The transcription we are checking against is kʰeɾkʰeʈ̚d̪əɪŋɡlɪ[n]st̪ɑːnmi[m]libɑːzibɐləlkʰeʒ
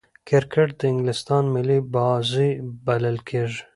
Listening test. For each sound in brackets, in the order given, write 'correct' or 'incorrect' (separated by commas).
incorrect, incorrect